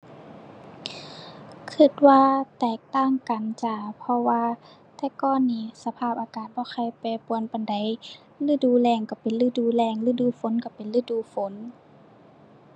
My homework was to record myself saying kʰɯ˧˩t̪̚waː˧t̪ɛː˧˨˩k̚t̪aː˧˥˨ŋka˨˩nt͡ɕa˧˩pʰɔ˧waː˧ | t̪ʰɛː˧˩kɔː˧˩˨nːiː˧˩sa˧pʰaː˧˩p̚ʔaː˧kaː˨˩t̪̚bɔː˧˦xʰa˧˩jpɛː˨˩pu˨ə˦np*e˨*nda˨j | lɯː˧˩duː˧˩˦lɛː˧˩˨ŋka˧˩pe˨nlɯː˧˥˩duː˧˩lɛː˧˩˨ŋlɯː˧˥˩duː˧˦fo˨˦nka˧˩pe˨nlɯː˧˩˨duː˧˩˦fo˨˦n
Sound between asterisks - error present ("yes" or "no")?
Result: yes